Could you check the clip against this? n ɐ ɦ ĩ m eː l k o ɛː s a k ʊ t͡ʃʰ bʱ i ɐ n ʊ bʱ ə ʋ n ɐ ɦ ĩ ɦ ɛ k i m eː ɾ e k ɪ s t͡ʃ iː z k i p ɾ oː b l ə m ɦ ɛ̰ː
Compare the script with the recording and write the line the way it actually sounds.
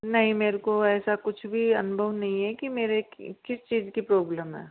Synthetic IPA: n ɐ ɦ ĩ m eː ɾ k o ɛː s a k ʊ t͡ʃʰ bʱ i ɐ n ʊ bʱ ə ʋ n ɐ ɦ ĩ ɦ ɛ k i m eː ɾ e k ɪ s t͡ʃ iː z k i p ɾ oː b l ə m ɦ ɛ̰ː